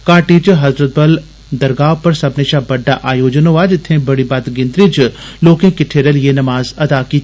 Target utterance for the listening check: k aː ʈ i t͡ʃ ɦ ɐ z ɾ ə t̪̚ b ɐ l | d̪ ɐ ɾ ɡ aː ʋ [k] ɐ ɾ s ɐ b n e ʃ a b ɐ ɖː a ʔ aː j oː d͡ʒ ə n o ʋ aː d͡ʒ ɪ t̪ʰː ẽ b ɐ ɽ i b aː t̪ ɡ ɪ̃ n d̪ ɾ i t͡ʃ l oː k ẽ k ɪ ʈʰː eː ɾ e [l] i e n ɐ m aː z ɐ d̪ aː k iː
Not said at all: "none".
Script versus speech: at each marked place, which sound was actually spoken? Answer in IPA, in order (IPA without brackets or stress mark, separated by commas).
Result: p, l